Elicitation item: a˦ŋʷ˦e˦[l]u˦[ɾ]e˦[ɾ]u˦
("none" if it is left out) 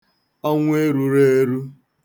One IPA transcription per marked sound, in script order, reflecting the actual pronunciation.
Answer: ɾ, ɾ, ɾ

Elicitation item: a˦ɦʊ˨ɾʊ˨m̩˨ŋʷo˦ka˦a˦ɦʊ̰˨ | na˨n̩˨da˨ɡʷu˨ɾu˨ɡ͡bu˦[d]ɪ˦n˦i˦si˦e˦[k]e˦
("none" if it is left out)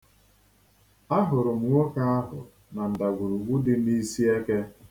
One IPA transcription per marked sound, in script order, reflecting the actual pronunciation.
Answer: d, k

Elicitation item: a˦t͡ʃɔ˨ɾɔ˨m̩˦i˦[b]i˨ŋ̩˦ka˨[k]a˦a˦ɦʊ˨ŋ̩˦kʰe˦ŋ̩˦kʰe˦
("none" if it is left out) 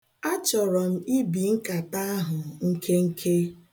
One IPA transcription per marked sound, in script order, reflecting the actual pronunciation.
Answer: b, t

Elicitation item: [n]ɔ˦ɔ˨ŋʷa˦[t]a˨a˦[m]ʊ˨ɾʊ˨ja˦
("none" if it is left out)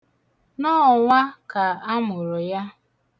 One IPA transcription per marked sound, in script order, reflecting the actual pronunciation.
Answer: n, k, m

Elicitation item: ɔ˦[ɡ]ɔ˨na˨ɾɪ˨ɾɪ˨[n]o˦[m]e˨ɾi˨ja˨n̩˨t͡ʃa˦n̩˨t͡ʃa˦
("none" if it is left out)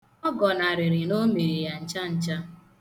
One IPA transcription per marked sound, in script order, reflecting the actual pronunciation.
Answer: ɡ, n, m

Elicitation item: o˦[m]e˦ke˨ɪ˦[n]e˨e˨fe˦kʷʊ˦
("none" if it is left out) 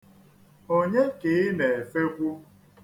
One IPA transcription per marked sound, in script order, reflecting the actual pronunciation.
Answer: ɲ, n

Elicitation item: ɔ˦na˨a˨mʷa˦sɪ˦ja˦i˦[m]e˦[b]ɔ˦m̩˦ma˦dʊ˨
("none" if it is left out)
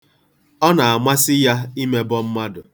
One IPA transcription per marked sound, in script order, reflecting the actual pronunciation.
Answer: m, b

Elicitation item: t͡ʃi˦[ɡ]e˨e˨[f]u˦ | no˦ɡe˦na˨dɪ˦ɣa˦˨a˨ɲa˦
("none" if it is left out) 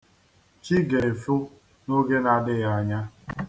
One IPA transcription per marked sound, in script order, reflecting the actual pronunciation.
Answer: ɡ, f

